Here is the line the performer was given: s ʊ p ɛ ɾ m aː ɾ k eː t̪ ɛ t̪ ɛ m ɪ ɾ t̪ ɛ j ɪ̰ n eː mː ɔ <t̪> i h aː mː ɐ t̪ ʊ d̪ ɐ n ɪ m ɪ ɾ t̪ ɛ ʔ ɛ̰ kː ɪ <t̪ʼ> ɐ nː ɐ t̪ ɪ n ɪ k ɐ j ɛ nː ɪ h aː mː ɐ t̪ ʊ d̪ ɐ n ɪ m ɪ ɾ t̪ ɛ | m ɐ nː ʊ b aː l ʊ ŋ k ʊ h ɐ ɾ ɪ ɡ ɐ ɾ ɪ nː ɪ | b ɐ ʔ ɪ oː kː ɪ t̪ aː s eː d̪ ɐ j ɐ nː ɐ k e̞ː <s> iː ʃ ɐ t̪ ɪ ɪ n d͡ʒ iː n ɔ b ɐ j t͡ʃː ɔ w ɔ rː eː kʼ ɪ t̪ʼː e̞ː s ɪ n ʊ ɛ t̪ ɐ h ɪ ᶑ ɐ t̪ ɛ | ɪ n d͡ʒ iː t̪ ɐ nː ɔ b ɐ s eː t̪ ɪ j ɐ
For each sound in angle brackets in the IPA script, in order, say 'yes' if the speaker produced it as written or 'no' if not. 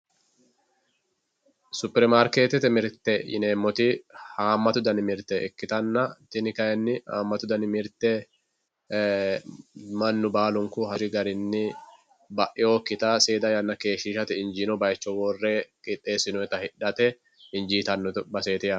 yes, no, no

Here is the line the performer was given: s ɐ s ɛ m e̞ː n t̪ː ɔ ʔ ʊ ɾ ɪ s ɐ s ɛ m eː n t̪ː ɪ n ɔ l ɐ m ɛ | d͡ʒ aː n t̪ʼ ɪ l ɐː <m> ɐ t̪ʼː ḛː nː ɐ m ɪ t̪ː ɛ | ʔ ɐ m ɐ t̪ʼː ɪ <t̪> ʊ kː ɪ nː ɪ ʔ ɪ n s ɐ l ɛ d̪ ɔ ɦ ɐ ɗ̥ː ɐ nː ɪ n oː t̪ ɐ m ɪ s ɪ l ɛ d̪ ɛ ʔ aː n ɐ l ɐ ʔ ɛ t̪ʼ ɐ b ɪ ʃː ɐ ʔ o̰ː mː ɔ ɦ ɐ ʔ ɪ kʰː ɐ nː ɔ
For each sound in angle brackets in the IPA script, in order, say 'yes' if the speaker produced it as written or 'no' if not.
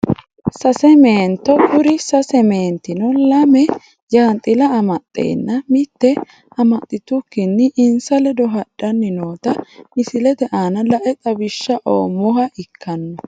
yes, yes

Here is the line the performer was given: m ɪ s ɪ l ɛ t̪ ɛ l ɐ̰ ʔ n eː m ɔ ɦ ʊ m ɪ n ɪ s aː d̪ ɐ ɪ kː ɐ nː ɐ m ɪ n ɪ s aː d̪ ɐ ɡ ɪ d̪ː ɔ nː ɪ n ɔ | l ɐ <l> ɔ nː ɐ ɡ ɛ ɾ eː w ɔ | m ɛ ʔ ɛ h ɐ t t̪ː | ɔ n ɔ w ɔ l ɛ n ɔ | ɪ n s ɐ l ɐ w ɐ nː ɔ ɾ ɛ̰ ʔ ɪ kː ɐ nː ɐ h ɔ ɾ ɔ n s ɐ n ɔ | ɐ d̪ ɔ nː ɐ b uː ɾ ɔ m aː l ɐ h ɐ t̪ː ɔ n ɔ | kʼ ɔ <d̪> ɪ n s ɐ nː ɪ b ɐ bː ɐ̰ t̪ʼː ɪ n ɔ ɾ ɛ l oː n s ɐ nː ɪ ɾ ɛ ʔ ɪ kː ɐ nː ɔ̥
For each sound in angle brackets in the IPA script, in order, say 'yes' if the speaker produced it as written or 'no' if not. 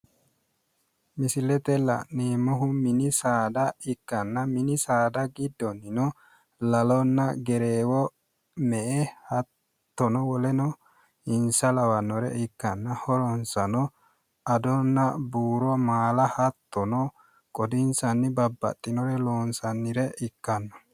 yes, yes

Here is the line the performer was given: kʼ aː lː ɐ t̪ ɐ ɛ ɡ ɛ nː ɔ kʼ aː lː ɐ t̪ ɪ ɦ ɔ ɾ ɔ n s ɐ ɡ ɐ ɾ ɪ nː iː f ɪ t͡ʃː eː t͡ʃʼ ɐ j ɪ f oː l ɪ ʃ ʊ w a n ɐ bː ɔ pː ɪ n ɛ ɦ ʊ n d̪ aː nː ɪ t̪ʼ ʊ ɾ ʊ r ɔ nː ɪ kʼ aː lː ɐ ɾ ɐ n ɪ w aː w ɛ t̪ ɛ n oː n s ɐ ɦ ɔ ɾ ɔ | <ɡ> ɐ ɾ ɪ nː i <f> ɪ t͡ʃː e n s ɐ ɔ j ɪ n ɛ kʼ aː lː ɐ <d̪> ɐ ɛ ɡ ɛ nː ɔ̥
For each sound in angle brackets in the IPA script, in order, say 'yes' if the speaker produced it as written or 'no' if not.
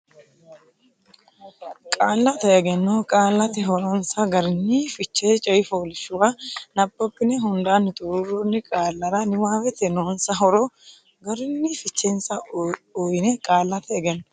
yes, yes, no

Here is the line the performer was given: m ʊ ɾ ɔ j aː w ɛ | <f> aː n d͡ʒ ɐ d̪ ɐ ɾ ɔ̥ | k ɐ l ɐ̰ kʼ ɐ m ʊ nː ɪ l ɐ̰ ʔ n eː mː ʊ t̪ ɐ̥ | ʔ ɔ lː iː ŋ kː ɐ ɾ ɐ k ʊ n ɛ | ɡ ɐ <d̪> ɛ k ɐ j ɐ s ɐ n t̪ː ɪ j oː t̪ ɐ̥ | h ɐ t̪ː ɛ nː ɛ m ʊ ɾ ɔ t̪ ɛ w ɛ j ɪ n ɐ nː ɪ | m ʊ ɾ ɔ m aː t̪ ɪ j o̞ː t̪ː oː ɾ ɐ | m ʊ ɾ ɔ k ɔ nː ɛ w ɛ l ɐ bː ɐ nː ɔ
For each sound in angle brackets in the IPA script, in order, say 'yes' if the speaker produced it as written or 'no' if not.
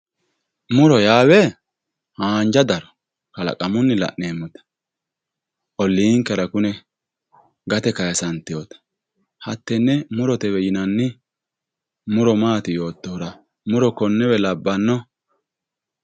no, no

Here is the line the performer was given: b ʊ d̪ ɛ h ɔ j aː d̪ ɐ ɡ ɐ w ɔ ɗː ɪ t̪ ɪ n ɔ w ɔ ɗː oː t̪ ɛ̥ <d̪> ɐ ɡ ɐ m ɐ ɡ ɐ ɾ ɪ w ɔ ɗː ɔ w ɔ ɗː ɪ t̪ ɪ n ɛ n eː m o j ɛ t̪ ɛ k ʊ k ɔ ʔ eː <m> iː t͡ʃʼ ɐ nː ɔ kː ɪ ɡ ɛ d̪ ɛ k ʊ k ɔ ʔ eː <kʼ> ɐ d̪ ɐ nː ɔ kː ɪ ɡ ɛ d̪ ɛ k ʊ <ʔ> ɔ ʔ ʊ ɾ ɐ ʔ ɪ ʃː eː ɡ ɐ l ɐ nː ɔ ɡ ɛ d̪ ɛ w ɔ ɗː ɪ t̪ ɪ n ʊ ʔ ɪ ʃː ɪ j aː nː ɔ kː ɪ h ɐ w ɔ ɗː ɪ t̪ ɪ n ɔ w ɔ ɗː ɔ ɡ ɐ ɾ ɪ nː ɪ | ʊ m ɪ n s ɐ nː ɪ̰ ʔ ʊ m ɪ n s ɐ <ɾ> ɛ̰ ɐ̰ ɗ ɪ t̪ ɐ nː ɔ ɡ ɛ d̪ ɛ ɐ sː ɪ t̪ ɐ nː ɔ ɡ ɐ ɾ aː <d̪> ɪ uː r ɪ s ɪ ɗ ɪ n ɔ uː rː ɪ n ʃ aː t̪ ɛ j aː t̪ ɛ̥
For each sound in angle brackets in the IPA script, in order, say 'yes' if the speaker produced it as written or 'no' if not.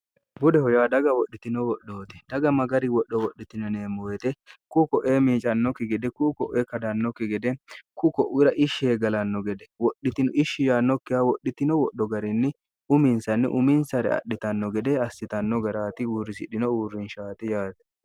yes, yes, no, no, yes, no

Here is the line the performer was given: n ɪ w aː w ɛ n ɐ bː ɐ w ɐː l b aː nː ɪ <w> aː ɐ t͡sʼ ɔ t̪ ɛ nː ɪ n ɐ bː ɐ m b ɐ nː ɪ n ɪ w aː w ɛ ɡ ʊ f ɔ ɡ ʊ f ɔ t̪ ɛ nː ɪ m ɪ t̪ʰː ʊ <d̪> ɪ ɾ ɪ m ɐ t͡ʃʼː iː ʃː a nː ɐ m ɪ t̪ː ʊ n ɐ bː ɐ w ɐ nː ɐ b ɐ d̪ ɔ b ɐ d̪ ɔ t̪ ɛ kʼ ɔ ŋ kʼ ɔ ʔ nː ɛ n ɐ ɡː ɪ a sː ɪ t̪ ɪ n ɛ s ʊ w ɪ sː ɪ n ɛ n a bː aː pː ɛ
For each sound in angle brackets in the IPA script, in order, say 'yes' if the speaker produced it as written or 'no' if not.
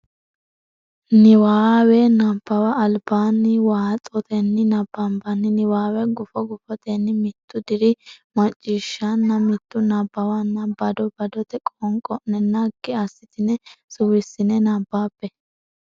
yes, yes

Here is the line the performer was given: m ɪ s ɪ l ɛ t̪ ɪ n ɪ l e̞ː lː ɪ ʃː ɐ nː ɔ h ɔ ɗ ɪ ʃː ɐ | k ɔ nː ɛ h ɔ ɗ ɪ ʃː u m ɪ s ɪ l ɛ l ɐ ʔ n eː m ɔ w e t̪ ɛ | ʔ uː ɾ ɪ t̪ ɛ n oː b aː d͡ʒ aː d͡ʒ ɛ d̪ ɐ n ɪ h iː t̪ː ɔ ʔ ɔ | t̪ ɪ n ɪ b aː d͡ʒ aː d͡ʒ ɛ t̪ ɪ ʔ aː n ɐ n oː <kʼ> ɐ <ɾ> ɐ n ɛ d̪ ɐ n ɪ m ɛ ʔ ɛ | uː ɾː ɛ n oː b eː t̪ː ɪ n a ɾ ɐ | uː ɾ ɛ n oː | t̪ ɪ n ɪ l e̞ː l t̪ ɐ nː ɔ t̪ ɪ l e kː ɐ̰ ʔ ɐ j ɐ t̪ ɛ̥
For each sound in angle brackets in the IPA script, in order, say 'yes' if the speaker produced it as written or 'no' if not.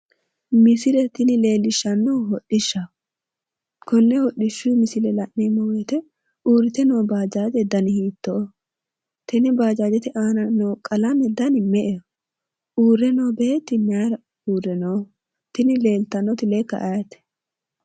yes, no

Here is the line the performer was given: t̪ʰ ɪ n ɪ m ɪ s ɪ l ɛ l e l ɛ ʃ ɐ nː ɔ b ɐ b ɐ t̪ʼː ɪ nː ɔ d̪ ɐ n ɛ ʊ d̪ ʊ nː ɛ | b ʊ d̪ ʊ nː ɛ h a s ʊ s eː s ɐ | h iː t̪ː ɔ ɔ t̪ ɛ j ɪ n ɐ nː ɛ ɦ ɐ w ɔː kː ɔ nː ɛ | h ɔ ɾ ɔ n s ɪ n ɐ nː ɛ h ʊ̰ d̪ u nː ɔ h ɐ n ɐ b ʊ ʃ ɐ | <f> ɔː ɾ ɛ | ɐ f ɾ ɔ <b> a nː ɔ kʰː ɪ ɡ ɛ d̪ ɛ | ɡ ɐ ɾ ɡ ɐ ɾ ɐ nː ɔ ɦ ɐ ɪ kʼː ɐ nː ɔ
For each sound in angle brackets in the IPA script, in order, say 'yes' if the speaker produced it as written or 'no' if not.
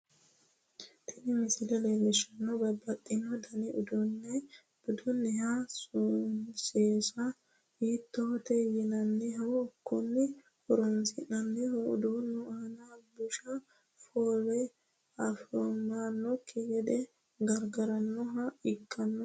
yes, no

